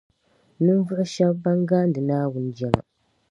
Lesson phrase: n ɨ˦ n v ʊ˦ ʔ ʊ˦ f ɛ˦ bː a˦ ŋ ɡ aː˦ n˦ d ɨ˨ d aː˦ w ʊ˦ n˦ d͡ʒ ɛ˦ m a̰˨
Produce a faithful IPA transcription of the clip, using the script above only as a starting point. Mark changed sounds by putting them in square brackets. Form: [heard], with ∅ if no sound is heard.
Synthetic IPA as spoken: n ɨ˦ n v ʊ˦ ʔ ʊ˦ [ʃ] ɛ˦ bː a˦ ŋ ɡ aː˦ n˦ d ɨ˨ [n] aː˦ w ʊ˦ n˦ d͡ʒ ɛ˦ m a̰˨